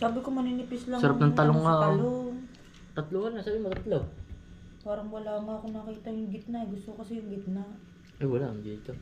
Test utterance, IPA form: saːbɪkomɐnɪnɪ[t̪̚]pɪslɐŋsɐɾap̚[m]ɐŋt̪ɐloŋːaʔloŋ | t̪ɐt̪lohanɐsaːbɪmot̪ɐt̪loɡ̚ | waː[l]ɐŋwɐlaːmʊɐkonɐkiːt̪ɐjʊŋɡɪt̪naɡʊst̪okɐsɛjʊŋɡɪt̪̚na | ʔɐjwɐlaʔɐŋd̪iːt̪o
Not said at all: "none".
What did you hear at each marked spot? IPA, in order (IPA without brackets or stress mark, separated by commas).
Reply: none, n, ɾ